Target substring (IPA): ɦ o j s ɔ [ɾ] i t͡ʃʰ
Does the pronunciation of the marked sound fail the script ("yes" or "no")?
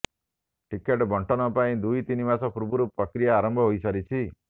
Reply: no